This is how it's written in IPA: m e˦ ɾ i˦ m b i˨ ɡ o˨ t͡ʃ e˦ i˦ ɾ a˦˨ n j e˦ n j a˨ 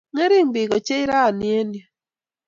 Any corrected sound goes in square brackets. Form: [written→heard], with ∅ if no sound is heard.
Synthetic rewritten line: [m→ŋ] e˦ ɾ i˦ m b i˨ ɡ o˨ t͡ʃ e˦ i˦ ɾ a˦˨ n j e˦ n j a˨